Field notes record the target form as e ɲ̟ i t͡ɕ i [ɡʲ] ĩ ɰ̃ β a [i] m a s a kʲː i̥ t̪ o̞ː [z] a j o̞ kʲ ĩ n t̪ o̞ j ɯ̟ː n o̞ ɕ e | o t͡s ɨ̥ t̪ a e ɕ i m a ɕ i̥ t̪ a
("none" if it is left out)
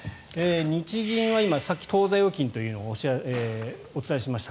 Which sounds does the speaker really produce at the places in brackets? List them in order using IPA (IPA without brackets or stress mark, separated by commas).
ɡʲ, i, z